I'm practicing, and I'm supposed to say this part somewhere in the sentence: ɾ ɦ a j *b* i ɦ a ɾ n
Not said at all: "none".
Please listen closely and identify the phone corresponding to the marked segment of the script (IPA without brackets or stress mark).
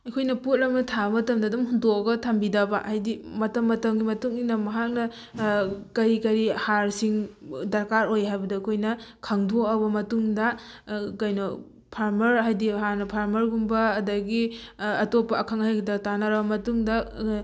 d